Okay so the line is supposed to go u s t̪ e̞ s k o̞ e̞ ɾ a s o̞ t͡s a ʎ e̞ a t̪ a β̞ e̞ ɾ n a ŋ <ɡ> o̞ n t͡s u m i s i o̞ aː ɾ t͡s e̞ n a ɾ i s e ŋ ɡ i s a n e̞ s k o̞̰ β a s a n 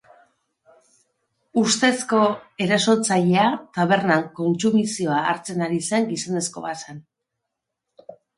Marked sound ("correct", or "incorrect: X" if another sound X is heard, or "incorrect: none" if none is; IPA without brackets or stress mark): incorrect: k